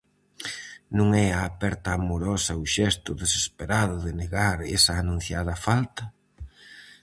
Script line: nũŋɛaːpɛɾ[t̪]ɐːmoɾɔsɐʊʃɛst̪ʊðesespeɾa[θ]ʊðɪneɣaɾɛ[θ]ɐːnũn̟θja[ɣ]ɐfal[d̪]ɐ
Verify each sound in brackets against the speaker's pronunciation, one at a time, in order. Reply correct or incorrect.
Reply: correct, incorrect, incorrect, incorrect, incorrect

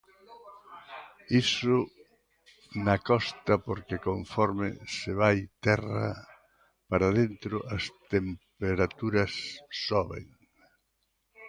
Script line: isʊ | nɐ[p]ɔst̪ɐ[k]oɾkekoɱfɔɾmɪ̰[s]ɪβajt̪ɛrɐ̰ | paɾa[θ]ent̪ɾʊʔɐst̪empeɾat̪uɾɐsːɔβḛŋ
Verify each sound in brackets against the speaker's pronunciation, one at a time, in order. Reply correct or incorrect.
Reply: incorrect, incorrect, correct, incorrect

